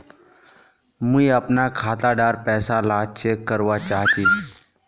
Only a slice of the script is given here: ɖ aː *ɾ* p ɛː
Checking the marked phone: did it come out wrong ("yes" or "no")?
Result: no